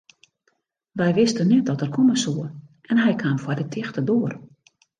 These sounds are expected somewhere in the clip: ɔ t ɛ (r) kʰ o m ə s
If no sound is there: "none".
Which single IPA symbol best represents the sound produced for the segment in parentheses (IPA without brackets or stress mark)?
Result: r